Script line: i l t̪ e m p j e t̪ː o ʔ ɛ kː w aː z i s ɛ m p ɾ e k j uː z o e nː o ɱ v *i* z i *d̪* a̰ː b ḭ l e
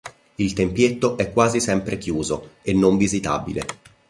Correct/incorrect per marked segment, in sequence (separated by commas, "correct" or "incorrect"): correct, incorrect